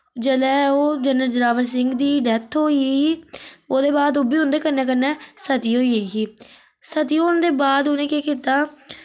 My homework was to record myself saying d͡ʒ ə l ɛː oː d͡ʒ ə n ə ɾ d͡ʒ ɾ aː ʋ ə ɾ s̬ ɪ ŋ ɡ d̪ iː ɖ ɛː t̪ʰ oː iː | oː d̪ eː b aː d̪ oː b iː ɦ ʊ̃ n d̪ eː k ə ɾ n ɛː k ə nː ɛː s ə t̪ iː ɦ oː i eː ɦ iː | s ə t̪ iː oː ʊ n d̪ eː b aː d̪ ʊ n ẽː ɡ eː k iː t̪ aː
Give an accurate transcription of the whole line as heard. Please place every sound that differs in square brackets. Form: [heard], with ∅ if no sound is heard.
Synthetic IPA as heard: d͡ʒ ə l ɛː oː d͡ʒ ə n ə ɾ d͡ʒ ɾ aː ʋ ə ɾ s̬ ɪ ŋ ɡ d̪ iː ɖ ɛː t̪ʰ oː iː | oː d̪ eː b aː d̪ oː b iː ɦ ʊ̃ n d̪ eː k ə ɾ n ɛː k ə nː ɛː s ə t̪ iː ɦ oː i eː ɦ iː | s ə t̪ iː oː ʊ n d̪ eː b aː d̪ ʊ n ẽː [k] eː k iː t̪ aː